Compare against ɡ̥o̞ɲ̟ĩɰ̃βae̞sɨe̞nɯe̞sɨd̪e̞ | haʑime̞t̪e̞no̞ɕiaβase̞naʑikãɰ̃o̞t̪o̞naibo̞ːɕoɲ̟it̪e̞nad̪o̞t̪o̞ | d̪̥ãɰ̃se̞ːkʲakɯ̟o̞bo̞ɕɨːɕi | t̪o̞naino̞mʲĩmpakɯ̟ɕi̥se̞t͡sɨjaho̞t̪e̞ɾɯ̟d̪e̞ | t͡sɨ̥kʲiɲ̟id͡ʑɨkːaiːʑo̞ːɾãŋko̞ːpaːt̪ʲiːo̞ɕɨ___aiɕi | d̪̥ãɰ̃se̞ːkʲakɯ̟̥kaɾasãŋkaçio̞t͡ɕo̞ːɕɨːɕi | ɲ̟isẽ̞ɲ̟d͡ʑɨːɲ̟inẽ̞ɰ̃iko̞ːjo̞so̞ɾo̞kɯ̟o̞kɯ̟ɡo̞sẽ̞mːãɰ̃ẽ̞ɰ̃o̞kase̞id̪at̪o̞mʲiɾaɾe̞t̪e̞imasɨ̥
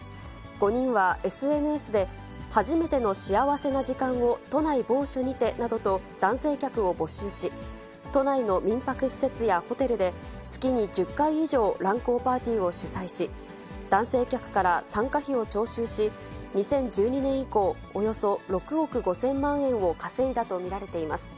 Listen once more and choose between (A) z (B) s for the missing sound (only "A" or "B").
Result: B